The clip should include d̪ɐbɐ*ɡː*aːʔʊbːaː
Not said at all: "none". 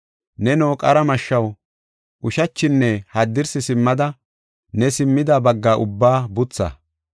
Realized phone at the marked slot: ɡː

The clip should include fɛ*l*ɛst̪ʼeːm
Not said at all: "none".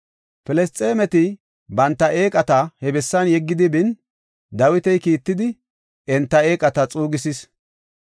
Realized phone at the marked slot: l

